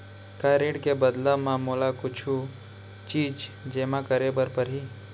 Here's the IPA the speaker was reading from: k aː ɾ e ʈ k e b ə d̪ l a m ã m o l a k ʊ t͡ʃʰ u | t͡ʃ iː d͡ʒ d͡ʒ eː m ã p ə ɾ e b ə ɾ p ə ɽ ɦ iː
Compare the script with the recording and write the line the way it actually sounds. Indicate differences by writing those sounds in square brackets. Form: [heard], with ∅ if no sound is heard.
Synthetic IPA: k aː ɾ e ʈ k e b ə d̪ l a m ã m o l a k ʊ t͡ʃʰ u | t͡ʃ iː d͡ʒ d͡ʒ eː m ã [k] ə ɾ e b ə ɾ p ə [ɾ] ɦ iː